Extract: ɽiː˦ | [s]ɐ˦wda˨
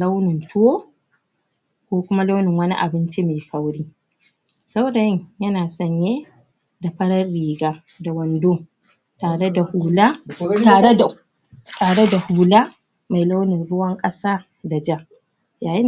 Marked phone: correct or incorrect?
correct